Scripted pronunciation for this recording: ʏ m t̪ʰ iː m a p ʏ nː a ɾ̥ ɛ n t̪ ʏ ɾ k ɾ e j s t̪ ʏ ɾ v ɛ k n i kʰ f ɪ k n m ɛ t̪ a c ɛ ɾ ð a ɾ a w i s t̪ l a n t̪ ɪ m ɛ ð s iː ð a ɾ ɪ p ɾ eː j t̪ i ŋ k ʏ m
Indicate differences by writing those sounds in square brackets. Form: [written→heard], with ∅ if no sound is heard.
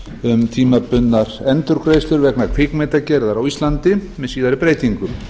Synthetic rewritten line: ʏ m t̪ʰ iː m a p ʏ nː a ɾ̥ ɛ n t̪ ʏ ɾ k ɾ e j s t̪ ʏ ɾ v ɛ k n [i→a] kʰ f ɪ k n m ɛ t̪ a c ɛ ɾ ð a ɾ a w i s t̪ l a n t̪ ɪ m ɛ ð s iː ð a ɾ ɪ p ɾ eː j t̪ i ŋ k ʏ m